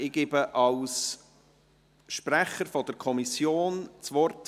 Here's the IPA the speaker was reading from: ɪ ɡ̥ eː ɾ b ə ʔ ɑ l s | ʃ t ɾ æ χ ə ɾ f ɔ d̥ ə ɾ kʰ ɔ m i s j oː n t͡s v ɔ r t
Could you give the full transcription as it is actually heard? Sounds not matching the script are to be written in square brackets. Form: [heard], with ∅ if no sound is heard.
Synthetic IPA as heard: ɪ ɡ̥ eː [∅] b ə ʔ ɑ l s | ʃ [p] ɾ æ χ ə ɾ f ɔ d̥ ə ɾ kʰ ɔ m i s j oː n t͡s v ɔ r t

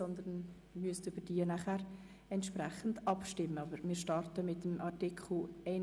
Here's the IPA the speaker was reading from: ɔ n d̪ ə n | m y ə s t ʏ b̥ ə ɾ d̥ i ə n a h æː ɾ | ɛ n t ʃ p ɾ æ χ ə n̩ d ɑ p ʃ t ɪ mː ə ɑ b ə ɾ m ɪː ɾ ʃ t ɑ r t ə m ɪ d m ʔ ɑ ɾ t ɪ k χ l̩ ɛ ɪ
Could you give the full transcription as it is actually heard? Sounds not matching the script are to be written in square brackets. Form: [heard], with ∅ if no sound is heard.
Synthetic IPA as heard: ɔ n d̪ ə n | m y ə s t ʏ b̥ ə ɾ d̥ i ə n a [χ] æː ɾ | ɛ n t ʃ p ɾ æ χ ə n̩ d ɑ p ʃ t ɪ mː ə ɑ b ə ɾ m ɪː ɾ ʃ t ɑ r t ə m ɪ [t] m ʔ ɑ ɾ t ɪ k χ l̩ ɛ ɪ

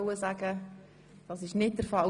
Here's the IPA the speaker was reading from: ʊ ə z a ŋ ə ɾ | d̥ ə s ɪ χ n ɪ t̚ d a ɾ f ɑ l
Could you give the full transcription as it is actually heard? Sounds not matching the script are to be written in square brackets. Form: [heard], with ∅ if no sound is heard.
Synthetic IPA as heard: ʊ ə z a [ɡ] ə [∅] | d̥ [ɑ] s ɪ [ʃ] n ɪ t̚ d [ə] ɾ f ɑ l

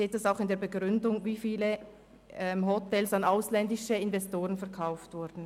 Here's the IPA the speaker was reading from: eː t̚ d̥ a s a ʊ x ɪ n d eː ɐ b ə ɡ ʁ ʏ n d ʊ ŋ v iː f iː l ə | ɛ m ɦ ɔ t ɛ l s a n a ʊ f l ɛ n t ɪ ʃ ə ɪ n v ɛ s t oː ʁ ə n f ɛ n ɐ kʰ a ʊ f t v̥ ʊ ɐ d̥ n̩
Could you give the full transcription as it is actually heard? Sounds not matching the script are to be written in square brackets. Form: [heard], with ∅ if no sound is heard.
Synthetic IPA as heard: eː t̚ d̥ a s a ʊ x ɪ n d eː ɐ b ə ɡ ʁ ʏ n d ʊ ŋ v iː f iː l ə | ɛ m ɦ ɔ t ɛ l s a n a ʊ [s] l ɛ n [d] ɪ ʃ ə ɪ n v ɛ s t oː ʁ ə n f ɛ [∅] ɐ kʰ a ʊ f t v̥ ʊ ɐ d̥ n̩

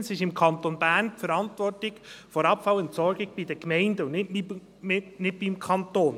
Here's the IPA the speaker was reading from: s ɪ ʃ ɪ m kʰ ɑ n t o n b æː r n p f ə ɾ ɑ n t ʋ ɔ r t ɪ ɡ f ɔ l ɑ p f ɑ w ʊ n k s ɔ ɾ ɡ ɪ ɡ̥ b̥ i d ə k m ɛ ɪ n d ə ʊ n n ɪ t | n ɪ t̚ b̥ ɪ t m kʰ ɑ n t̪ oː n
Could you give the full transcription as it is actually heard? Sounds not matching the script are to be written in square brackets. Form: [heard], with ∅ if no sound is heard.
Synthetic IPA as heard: s ɪ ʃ ɪ m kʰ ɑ n t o n b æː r n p f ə ɾ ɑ n t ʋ ɔ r t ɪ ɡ f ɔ [ɾ] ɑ p f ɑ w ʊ n [t] s ɔ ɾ ɡ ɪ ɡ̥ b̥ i d ə k m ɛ ɪ n d ə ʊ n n ɪ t | n ɪ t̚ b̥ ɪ [∅] m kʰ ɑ n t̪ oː n

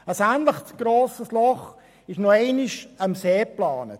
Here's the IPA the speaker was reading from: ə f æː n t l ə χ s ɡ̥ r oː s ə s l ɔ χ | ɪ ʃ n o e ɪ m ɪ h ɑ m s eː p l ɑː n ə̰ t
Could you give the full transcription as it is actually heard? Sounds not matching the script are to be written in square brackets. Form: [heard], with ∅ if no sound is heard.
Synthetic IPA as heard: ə [s] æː n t l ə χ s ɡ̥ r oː s ə s l ɔ χ | ɪ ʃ n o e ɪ [n] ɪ [ʃ] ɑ m s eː p l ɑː n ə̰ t

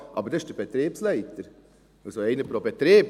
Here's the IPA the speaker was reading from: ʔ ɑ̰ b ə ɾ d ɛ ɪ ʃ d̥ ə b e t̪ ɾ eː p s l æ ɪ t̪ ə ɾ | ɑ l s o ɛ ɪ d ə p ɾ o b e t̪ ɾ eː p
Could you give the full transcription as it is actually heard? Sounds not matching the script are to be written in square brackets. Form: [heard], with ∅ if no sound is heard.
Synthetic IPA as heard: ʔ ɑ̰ b ə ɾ d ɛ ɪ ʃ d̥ ə b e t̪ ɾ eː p s l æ ɪ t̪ ə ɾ | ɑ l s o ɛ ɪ [n] ə p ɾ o b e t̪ ɾ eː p

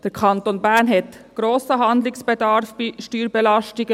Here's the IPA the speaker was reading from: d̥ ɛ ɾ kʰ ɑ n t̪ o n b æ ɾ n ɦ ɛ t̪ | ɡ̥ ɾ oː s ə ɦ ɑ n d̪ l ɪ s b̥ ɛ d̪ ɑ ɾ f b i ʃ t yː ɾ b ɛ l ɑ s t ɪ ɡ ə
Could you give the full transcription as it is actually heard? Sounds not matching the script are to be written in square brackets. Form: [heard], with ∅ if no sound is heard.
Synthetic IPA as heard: d̥ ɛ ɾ kʰ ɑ n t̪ o n b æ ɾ n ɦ ɛ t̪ | ɡ̥ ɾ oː s ə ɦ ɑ n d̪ l ɪ s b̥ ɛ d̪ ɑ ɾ f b i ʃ t yː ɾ b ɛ l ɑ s t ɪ ɡ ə

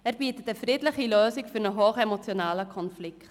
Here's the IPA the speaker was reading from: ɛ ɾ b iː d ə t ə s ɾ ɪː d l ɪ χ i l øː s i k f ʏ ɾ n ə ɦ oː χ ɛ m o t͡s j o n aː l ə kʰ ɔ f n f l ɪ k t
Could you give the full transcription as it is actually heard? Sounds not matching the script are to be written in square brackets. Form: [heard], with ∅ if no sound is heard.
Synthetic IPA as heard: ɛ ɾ b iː [t] ə t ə [f] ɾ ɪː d l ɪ χ i l øː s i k f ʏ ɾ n ə ɦ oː χ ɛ m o t͡s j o n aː l ə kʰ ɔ [∅] n f l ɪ k t

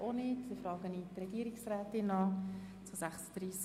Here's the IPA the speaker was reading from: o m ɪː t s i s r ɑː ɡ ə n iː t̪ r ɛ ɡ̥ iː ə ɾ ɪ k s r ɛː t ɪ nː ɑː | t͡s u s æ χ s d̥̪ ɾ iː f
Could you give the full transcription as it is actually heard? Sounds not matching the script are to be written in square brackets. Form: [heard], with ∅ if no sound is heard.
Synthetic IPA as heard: o [n] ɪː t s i [f] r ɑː ɡ ə n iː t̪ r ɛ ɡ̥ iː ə ɾ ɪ k s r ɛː t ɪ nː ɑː | t͡s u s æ χ s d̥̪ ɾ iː [s]

